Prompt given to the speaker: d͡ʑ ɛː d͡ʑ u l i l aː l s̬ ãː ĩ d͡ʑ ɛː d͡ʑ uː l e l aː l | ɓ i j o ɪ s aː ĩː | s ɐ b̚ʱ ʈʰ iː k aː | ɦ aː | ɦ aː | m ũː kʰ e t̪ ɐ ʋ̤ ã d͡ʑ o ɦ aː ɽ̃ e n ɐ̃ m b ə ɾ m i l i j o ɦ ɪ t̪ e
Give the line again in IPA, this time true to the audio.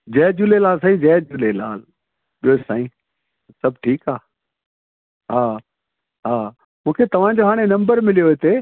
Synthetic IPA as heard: d͡ʑ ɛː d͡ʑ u l e l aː l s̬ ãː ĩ d͡ʑ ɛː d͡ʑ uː l e l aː l | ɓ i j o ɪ s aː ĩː | s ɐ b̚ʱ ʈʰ iː k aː | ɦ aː | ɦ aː | m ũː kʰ e t̪ ɐ ʋ̤ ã d͡ʑ o ɦ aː ɽ̃ e n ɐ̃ m b ə ɾ m ɪ l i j o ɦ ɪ t̪ e